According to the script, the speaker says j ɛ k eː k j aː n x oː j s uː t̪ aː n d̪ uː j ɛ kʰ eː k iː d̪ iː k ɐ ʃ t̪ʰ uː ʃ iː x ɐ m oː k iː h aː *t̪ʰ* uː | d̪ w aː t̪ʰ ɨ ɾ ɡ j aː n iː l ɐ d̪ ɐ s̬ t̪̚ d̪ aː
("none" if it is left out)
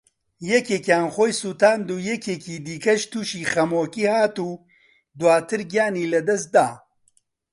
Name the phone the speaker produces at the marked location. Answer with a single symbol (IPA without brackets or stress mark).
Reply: t̪